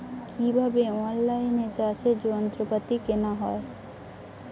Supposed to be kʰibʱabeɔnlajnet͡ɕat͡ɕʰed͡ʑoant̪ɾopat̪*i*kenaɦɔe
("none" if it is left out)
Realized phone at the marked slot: i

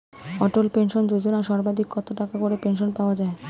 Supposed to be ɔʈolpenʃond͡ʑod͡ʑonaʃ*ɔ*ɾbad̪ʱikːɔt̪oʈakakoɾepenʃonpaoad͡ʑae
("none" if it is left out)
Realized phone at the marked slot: ɔ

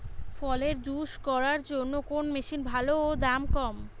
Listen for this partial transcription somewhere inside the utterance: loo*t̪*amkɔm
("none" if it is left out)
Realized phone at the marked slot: d̪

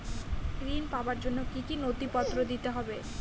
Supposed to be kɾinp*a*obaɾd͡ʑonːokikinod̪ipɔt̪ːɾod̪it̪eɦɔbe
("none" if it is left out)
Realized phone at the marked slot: a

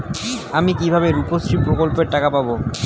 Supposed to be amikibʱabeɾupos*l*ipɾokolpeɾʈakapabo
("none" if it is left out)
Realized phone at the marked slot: ɾ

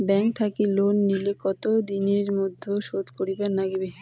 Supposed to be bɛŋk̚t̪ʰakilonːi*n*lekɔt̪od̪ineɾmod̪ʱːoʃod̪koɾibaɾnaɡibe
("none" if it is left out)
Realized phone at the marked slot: none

